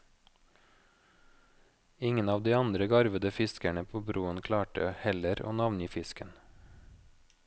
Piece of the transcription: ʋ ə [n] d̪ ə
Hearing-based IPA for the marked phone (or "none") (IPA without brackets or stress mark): none